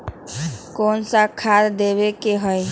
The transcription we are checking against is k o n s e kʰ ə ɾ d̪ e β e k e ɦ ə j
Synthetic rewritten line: k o n s a kʰ a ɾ d̪ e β e k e ɦ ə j